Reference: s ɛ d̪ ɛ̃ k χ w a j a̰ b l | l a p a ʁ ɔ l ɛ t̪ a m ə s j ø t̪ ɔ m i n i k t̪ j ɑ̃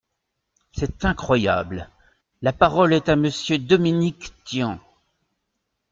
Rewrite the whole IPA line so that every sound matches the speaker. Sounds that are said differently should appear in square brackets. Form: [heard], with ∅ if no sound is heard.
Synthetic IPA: s ɛ [t̪] ɛ̃ k χ w a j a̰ b l | l a p a ʁ ɔ l ɛ t̪ a m ə s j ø [d̪] ɔ m i n i k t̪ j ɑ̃